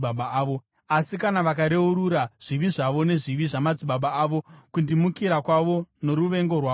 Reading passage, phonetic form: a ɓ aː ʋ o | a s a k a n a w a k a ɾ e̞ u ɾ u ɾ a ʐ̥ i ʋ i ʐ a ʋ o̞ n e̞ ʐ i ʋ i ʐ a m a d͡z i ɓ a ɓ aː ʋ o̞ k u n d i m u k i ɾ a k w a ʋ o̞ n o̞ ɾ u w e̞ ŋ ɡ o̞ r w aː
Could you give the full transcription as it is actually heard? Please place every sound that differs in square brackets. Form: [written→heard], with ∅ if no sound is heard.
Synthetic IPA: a ɓ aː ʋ o | a s [a→i] k a n a [w→ʋ] a k a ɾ e̞ u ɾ u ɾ a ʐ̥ i ʋ i ʐ a ʋ o̞ n e̞ ʐ i ʋ i ʐ a m a d͡z i ɓ a ɓ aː ʋ o̞ k u n d i m u k i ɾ a k w a ʋ o̞ n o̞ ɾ u [w→ʋ] e̞ ŋ ɡ o̞ r w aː

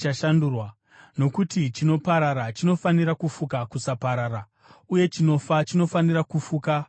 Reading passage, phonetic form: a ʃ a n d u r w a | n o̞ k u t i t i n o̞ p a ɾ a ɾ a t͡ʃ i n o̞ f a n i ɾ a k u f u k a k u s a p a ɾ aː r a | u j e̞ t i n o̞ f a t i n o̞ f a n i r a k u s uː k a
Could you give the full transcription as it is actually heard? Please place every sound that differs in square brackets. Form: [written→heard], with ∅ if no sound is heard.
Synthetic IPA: a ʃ a n d u r w a | n o̞ k u t i [t→t͡ʃ] i n o̞ p a ɾ a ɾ a t͡ʃ i n o̞ f a n i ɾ a k u f u k a k u s a p a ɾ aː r a | u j e̞ [t→t͡ʃ] i n o̞ f a [t→t͡ʃ] i n o̞ f a n i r a k u [s→f] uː k a

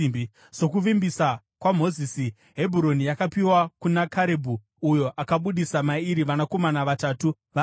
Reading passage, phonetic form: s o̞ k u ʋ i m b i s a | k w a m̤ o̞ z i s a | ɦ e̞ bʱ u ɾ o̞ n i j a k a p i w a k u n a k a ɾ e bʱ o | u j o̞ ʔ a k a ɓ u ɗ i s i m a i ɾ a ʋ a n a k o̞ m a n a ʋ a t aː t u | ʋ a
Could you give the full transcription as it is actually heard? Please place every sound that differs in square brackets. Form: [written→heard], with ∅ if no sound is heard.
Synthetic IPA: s o̞ k u ʋ i m b i s a | k w a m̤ o̞ z i s [a→i] | ɦ e̞ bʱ u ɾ o̞ n i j a k a p i w a k u n a k a ɾ e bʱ [o→u] | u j o̞ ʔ a k a ɓ u ɗ i s [i→a] m a i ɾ [a→i] ʋ a n a k o̞ m a n a ʋ a t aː t u | ʋ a

